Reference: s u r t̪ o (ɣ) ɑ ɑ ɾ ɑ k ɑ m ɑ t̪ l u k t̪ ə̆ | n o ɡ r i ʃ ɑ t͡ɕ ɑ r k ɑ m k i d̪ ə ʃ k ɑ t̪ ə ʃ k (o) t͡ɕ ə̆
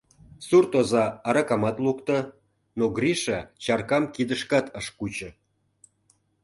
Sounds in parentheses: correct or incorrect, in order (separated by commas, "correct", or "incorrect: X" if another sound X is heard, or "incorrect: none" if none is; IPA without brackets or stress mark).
incorrect: z, incorrect: u